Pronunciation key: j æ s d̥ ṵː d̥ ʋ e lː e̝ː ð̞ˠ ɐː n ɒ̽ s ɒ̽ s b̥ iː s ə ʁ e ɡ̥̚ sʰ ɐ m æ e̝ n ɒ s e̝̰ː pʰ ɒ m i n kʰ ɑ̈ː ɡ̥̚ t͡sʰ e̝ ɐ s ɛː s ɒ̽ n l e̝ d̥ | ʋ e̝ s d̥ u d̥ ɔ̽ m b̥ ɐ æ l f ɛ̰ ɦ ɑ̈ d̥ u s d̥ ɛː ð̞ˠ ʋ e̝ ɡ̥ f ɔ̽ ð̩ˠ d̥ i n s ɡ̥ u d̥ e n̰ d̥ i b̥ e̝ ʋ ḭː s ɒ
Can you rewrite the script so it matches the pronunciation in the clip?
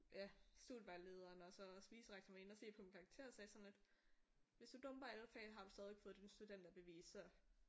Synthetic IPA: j æ s d̥ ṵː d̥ ʋ æ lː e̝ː ð̞ˠ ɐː n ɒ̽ s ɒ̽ s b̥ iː s ə ʁ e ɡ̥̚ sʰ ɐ m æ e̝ n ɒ s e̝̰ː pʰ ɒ m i n kʰ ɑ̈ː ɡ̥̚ t͡sʰ e̝ ɐ s ɛː s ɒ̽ n l e̝ d̥ | ʋ e̝ s d̥ u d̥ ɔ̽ m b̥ ɐ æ l f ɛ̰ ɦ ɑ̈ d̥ u s d̥ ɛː ð̞ˠ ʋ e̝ ɡ̥ f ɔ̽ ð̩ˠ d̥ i n s d̥ u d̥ e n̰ d̥ æ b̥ e̝ ʋ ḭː s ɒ